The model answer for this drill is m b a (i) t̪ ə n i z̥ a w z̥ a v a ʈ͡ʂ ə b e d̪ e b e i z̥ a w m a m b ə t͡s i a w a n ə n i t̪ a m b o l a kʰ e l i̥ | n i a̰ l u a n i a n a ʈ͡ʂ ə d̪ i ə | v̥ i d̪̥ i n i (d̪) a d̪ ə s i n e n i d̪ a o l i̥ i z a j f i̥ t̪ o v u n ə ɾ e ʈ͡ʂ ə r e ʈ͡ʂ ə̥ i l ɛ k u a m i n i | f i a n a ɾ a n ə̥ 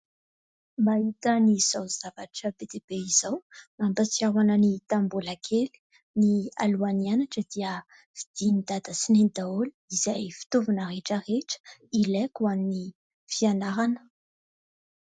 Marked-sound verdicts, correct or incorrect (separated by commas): correct, correct